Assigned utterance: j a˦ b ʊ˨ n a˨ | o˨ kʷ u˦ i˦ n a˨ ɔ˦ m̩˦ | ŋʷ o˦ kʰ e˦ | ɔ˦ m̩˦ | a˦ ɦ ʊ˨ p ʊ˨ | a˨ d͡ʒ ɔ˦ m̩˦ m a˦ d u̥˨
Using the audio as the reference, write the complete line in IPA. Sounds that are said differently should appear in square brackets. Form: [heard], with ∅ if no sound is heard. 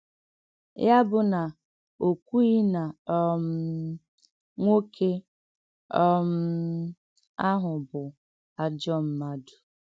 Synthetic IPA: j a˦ b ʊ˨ n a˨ | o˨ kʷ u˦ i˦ n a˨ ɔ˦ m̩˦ | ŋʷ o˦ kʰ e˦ | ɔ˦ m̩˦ | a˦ ɦ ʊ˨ [b] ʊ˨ | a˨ d͡ʒ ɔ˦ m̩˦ m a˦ d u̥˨

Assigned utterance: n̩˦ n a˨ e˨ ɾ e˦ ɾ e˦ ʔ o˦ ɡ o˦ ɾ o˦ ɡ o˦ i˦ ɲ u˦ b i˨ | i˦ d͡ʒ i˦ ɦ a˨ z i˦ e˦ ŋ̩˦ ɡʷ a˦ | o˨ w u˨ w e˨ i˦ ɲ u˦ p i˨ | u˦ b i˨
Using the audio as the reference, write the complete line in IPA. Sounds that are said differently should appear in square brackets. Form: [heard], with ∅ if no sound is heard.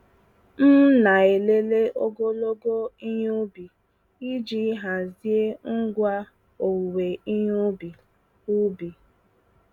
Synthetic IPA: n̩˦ n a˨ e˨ [l] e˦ [l] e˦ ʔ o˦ ɡ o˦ [l] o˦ ɡ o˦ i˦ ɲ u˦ b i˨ | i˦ d͡ʒ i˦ ɦ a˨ z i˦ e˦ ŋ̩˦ ɡʷ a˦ | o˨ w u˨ w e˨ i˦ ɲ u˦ [b] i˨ | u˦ b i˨

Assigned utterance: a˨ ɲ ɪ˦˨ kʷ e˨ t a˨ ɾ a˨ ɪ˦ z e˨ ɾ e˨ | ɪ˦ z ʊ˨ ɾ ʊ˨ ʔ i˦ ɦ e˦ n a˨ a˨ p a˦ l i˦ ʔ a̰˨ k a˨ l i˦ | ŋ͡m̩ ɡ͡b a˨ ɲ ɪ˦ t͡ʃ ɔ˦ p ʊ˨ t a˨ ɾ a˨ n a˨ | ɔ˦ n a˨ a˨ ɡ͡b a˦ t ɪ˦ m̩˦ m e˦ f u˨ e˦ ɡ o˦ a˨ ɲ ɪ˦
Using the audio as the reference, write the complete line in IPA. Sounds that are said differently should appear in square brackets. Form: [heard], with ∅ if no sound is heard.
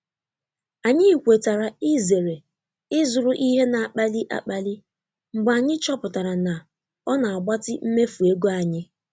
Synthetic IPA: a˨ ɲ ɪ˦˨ kʷ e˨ t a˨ ɾ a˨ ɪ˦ z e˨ ɾ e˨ | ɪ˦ z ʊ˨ ɾ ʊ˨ ʔ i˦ ɦ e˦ n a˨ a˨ [k͡p] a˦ l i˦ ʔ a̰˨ [k͡p] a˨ l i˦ | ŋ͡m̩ ɡ͡b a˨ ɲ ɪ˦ t͡ʃ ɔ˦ p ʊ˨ t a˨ ɾ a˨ n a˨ | ɔ˦ n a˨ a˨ ɡ͡b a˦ t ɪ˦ m̩˦ m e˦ f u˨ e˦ ɡ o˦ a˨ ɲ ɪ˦

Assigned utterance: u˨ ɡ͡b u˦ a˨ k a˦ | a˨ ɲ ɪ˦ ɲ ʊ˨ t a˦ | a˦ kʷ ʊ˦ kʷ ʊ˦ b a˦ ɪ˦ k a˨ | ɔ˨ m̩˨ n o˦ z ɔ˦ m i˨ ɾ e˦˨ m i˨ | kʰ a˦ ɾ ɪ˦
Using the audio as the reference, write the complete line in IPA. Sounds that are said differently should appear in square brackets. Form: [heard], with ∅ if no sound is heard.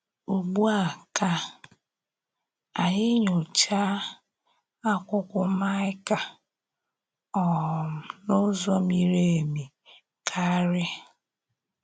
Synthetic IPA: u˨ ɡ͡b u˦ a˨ k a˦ | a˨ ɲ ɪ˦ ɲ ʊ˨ [t͡ʃ] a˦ | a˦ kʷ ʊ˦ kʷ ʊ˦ [m] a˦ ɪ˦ k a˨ | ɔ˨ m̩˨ n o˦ z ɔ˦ m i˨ ɾ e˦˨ m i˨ | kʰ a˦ ɾ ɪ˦

